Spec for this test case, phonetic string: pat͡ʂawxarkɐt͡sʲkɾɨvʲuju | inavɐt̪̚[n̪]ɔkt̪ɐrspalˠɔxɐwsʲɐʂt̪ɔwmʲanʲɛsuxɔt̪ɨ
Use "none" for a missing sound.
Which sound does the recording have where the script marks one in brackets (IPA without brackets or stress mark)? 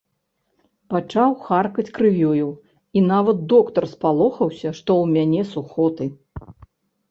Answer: d̪